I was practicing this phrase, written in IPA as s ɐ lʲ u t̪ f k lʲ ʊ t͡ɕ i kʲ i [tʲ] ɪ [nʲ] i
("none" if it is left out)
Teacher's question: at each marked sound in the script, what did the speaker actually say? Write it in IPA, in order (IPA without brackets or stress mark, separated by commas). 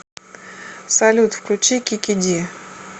kʲ, dʲ